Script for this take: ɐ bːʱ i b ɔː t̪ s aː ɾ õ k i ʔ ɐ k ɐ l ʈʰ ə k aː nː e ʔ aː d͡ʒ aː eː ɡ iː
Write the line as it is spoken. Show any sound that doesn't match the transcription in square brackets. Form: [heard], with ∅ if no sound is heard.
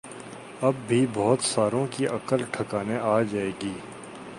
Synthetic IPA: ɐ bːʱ i b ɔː t̪ s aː ɾ õ k i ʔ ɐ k [ə] l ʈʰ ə k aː [n] e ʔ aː d͡ʒ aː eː ɡ iː